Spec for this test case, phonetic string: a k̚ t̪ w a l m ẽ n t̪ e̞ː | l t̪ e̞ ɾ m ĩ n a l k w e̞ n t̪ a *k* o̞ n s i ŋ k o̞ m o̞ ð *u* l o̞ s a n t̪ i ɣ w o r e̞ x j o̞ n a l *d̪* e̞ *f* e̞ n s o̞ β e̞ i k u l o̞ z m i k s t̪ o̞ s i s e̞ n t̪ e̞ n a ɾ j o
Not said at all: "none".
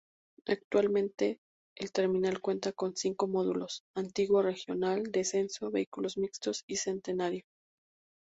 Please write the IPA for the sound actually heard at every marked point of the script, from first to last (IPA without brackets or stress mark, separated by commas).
k, u, d̪, s